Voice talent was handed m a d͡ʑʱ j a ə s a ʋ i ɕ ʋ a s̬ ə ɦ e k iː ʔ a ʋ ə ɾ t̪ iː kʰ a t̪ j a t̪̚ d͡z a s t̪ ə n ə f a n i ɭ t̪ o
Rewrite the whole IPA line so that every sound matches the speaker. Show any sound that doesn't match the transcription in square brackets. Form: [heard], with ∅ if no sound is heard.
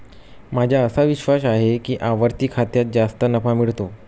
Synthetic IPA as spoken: m a d͡ʑʱ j a ə s a ʋ i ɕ ʋ a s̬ [a] ɦ e k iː ʔ a ʋ ə ɾ t̪ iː kʰ a t̪ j a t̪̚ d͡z a s t̪ ə n ə f a [m] i ɭ t̪ o